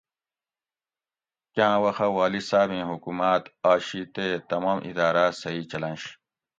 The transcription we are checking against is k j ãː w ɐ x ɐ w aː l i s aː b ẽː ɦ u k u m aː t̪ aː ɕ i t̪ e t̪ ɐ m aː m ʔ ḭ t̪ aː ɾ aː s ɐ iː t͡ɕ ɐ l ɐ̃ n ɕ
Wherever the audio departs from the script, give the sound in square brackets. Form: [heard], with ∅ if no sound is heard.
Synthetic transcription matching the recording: k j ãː w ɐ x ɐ w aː l i s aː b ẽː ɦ u k u m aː t̪ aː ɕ i t̪ e t̪ ɐ m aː m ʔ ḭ [d̪] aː ɾ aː s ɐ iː t͡ɕ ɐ l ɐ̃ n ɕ